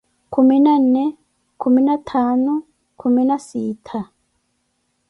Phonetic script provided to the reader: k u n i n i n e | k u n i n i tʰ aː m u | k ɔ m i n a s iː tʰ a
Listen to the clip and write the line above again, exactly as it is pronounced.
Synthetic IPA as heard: k u m i n a n e | k u m i n a tʰ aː n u | k u m i n a s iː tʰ a